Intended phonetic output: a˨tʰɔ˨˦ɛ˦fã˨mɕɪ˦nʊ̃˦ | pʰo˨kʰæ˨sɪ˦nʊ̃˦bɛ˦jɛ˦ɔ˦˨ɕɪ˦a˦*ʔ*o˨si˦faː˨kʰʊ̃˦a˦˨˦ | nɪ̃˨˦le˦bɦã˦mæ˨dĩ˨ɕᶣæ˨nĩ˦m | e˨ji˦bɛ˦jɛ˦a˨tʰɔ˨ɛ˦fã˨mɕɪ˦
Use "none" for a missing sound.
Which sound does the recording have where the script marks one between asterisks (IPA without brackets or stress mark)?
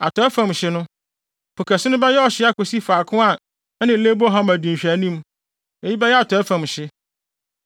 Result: k